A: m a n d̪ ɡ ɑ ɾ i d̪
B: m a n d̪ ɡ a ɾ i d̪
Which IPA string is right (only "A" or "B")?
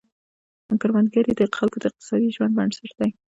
B